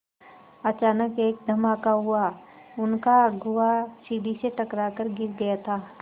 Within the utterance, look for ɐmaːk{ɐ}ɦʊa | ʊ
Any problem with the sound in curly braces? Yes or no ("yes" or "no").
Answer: yes